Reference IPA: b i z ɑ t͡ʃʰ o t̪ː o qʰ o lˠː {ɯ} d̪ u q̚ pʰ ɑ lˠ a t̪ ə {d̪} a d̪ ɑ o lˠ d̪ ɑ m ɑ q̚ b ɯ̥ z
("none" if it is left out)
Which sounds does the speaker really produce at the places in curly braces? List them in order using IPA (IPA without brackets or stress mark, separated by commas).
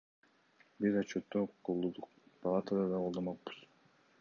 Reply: u, d̪